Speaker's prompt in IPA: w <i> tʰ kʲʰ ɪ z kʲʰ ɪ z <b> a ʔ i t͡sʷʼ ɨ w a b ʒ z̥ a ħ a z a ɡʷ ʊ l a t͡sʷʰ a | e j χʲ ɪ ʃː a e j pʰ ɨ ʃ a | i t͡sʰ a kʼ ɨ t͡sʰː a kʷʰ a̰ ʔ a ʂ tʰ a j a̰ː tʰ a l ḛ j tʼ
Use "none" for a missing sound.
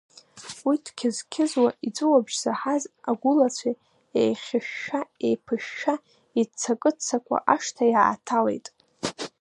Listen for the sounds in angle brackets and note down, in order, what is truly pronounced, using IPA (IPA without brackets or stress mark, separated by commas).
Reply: i, w